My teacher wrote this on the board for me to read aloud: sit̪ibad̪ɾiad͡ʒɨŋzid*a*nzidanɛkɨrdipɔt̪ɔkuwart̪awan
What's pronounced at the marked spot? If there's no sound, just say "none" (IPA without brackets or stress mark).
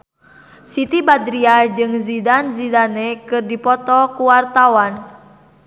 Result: a